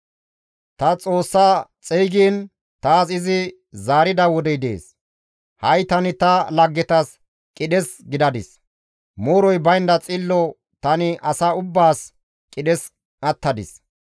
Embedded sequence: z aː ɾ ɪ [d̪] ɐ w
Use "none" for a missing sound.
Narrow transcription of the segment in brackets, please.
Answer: d̪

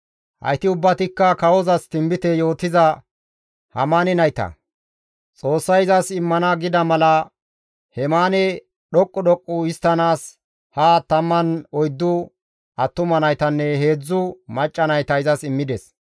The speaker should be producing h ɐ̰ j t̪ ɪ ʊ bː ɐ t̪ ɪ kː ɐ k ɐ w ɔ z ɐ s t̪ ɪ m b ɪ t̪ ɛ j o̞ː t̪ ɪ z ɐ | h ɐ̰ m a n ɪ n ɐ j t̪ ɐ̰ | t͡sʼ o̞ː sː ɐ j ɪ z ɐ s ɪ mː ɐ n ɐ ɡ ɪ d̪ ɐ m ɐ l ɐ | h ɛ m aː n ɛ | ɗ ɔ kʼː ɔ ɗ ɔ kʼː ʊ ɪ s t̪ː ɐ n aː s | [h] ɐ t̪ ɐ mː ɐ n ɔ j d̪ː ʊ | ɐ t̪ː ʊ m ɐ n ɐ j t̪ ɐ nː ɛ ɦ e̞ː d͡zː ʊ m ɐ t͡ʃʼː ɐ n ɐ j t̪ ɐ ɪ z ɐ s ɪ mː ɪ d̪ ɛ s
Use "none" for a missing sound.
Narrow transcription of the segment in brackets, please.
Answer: h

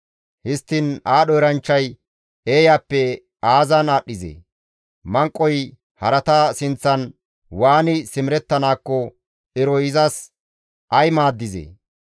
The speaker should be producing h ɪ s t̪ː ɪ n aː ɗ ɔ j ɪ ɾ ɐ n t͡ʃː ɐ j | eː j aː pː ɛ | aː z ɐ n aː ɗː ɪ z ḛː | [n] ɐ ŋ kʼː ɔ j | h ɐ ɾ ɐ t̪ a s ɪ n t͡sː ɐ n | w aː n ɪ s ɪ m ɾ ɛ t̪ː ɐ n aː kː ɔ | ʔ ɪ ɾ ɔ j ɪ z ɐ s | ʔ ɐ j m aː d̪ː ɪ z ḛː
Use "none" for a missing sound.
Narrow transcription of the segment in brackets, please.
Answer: m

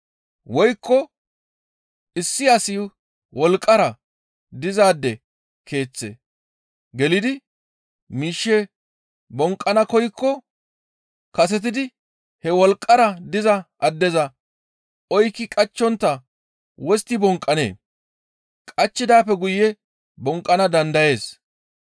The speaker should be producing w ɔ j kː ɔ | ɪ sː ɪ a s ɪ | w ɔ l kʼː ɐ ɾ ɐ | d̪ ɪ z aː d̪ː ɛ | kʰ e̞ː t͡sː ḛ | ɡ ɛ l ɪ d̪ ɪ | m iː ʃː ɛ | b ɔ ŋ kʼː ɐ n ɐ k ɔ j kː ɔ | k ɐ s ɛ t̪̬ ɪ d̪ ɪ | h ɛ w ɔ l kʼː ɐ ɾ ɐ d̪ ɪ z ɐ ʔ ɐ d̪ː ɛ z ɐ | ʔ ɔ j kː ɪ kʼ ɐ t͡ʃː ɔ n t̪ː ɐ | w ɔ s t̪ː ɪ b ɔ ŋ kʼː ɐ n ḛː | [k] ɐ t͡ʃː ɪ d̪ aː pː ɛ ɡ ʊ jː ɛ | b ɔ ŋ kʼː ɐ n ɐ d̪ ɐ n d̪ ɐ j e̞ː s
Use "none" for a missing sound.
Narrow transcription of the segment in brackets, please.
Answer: kʼ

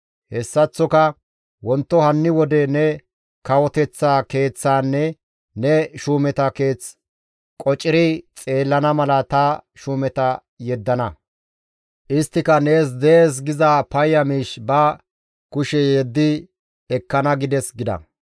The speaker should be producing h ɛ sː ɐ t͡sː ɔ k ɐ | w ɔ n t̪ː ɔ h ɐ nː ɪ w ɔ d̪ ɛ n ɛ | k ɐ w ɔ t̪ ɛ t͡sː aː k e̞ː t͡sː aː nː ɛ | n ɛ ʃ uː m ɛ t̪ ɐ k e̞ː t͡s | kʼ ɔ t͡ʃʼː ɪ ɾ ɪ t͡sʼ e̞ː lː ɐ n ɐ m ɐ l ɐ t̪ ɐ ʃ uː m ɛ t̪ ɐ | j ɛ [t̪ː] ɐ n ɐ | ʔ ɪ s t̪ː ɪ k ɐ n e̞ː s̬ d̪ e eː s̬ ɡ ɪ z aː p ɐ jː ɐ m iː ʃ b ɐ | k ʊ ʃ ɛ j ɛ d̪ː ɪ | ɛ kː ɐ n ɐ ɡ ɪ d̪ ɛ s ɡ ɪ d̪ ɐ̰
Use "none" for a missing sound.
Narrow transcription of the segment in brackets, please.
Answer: d̪ː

